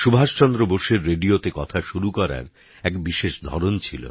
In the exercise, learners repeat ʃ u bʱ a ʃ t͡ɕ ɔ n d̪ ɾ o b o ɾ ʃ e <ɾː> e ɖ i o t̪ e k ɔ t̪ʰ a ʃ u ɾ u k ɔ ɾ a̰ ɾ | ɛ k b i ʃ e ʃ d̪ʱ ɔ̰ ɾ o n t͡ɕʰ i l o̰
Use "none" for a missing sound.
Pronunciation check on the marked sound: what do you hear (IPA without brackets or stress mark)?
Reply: ɾː